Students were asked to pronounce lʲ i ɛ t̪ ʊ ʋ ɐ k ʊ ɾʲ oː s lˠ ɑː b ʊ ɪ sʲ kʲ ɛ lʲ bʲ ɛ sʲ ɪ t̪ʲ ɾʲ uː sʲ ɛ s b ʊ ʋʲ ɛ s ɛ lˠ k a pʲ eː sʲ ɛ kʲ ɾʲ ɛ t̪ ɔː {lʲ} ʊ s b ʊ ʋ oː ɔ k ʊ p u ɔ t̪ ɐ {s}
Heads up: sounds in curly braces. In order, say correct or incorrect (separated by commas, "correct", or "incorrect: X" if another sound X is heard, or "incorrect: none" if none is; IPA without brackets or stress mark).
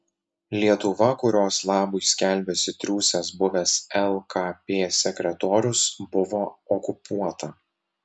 incorrect: ɾʲ, incorrect: none